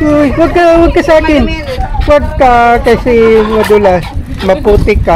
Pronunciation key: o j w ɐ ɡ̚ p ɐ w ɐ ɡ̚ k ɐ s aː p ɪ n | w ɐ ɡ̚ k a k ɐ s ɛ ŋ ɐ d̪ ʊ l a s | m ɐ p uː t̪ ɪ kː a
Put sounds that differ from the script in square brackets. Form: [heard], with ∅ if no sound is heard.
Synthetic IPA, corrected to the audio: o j w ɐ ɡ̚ [k] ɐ w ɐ ɡ̚ k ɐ s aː [k] ɪ n | w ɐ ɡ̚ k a k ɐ s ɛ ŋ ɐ d̪ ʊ l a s | m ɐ p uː t̪ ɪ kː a